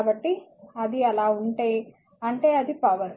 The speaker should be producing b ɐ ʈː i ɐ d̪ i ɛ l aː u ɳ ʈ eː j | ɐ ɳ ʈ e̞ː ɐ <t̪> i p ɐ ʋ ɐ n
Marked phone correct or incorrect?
incorrect